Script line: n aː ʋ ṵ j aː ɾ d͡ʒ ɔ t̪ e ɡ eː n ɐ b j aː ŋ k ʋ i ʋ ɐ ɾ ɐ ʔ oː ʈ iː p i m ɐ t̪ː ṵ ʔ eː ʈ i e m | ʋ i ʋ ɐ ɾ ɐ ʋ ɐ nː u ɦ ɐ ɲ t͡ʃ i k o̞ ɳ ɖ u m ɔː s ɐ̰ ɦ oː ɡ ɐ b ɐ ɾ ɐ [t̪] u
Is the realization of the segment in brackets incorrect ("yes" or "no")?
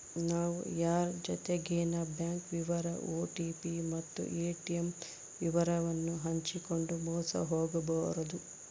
yes